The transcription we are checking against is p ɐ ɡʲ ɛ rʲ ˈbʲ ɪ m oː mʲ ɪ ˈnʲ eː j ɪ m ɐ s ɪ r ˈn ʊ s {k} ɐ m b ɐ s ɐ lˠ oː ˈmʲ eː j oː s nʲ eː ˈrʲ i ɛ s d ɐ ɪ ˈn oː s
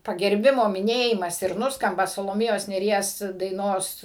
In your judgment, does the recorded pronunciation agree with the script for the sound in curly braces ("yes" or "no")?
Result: yes